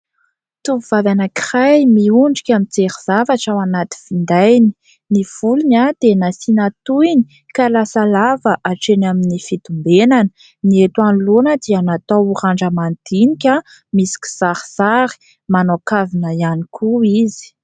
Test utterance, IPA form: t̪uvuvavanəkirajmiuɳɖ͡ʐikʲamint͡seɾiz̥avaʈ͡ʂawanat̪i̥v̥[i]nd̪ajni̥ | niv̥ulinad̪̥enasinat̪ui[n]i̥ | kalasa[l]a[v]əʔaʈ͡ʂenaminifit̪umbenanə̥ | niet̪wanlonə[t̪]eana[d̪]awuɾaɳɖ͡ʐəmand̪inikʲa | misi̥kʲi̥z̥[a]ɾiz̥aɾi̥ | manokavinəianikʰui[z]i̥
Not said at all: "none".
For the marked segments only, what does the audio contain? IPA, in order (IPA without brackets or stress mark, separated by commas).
i, n, l, v, d̪, t̪, a, z